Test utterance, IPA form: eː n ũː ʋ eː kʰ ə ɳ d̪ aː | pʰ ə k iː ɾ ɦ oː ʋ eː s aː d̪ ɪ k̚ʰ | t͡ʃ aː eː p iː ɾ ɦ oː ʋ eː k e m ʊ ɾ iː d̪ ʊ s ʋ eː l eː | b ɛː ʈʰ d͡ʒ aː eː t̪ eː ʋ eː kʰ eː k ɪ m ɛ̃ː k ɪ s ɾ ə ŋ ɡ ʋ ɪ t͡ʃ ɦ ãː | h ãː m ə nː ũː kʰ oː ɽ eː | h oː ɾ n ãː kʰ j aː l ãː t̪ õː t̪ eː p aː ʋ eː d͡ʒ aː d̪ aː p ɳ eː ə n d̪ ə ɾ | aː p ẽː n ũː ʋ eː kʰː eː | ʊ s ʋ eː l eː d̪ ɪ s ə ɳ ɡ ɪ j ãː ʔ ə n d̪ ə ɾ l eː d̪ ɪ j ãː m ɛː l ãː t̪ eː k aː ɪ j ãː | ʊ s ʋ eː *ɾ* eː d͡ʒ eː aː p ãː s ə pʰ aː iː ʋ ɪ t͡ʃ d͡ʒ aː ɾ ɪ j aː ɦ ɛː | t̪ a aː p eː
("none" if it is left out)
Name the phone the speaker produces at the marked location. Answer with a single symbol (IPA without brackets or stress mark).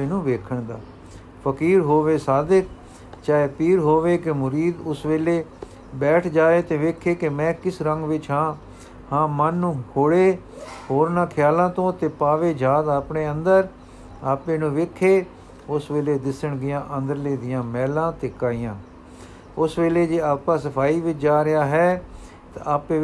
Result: l